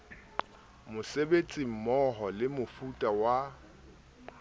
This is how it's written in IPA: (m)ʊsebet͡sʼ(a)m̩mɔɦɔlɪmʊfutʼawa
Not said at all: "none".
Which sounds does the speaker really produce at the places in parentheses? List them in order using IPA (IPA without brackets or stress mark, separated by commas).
m, i